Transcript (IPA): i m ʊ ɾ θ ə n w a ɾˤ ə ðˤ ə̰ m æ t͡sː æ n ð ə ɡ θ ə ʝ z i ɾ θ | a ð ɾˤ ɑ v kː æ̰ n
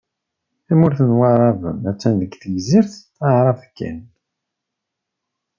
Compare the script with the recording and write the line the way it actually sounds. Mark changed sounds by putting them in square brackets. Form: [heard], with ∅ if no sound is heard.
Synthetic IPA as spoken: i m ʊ ɾ θ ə n w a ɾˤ [ɑ] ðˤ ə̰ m æ t͡sː æ n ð ə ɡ θ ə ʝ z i ɾ θ | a [ʕ] ɾˤ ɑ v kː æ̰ n